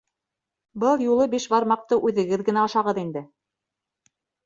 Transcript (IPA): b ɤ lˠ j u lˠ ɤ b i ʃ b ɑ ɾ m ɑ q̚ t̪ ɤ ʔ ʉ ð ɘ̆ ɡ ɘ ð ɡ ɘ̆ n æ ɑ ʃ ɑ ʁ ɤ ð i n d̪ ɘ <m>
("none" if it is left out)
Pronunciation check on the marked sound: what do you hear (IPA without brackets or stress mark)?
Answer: none